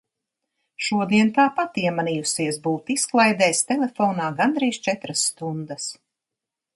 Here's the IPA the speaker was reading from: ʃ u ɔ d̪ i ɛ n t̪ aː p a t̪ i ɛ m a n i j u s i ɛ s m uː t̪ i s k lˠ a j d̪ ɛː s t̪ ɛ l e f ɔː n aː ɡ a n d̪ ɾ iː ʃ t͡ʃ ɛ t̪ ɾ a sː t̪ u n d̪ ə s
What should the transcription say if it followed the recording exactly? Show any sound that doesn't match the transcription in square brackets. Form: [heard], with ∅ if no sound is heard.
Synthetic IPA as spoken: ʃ u ɔ d̪ i ɛ n t̪ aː p a t̪ i ɛ m a n i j u s i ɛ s [b] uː t̪ i s k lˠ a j d̪ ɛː s t̪ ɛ l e f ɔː n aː ɡ a n d̪ ɾ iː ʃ t͡ʃ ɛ t̪ ɾ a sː t̪ u n d̪ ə s